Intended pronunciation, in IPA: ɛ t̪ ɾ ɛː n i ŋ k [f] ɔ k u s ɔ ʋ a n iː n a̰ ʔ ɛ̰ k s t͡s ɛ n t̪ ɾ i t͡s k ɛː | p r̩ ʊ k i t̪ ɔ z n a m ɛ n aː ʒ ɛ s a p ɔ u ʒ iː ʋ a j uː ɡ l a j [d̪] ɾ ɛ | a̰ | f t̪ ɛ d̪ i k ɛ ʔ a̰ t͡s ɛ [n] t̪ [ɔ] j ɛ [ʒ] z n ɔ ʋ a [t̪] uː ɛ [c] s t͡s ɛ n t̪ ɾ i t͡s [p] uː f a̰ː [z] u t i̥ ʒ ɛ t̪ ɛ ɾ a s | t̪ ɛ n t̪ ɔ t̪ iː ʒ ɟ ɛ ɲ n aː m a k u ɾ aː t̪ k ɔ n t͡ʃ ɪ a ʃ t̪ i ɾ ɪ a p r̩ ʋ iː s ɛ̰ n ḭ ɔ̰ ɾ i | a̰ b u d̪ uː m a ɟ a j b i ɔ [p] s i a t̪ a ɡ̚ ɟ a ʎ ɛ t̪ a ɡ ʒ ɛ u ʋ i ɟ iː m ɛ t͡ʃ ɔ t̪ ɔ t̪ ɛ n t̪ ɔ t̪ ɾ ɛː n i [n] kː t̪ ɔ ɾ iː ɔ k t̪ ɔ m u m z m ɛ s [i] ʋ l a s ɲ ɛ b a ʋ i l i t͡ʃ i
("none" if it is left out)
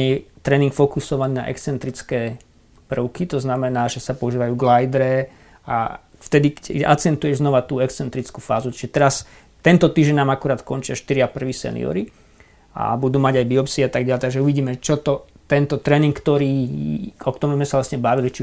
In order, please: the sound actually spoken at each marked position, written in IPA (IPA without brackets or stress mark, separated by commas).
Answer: f, d̪, n, u, ʒ, t̪, k, k, z, p, ŋ, a